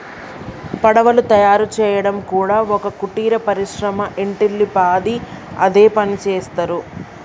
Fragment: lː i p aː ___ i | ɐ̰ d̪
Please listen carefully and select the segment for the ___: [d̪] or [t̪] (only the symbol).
d̪